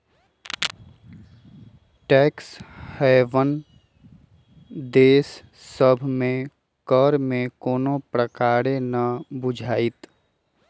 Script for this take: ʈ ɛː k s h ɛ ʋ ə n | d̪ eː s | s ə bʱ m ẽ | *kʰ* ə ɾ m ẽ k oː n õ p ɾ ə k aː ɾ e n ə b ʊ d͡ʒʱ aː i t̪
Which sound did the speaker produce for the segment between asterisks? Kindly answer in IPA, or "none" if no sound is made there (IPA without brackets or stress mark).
k